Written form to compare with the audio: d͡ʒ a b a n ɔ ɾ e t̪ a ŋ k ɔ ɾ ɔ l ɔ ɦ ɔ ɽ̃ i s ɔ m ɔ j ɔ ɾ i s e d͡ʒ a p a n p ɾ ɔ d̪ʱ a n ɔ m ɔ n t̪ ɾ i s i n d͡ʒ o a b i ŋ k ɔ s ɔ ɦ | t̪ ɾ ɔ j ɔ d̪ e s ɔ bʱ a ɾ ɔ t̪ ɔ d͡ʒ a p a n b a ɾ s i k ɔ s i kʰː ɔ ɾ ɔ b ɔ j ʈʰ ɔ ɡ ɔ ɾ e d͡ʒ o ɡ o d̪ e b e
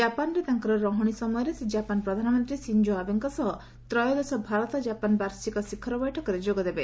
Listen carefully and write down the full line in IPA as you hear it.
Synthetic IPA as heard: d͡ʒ a p a n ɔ ɾ e t̪ a ŋ k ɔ ɾ ɔ ɾ ɔ ɦ ɔ ɽ̃ i s ɔ m ɔ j ɔ ɾ e s e d͡ʒ a p a n p ɾ ɔ d̪ʱ a n ɔ m ɔ n t̪ ɾ i s i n d͡ʒ o a b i ŋ k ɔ s ɔ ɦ | t̪ ɾ ɔ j ɔ d̪ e s ɔ bʱ a ɾ ɔ t̪ ɔ d͡ʒ a p a n b a ɾ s i k ɔ s i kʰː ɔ ɾ ɔ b ɔ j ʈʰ ɔ k ɔ ɾ e d͡ʒ o ɡ ɔ d̪ e b e

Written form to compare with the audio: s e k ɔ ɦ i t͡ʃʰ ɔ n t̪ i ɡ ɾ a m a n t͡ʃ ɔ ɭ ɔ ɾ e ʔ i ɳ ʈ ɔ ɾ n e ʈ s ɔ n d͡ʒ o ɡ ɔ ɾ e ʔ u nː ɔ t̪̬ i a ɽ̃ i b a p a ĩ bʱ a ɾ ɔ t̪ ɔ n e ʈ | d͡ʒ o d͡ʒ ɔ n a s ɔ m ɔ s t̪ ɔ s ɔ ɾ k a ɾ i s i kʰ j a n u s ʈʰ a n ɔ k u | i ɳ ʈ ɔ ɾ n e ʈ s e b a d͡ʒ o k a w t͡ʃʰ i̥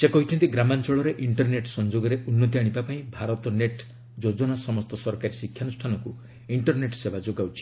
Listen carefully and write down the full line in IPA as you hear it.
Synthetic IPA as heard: s e k ɔ ɦ i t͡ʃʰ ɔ n t̪ i ɡ ɾ a m a n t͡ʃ ɔ ɭ ɔ ɾ e ʔ i ɳ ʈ ɔ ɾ n e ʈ s ɔ n d͡ʒ o ɡ ɔ ɾ e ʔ u nː ɔ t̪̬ i a ɽ̃ i b a p a ĩ bʱ a ɾ ɔ t̪ ɔ n e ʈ | d͡ʒ o d͡ʒ ɔ n a s ɔ m ɔ s t̪ ɔ s ɔ ɾ k a ɾ i s i kʰ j a n u s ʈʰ a n ɔ k u | i ɳ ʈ ɔ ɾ n e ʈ s e b a d͡ʒ o ɡ a w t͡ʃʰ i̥

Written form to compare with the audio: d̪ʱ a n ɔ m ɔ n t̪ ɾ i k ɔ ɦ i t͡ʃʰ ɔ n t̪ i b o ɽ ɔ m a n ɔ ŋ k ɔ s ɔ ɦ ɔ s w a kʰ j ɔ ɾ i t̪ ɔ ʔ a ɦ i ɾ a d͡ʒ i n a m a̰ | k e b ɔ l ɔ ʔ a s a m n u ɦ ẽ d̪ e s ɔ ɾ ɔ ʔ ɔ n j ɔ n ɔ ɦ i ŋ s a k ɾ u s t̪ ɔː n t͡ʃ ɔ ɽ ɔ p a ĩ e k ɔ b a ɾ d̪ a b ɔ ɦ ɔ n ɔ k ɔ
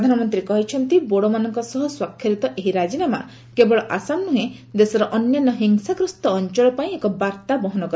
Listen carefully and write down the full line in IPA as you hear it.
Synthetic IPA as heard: d̪ʱ a n ɔ m ɔ n t̪ ɾ i k ɔ ɦ i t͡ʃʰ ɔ n t̪ i b o ɽ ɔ m a n ɔ ŋ k ɔ s ɔ ɦ ɔ s w a kʰ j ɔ ɾ i t̪ ɔ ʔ e ɦ i ɾ a d͡ʒ i n a m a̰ | k e b ɔ ɭ ɔ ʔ a s a m n u ɦ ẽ d̪ e s ɔ ɾ ɔ ʔ ɔ n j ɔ n ɔ ɦ i ŋ s a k ɾ u s t̪ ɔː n t͡ʃ ɔ ɭ ɔ p a ĩ e k ɔ b a ɾ t̪ a b ɔ ɦ ɔ n ɔ k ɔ

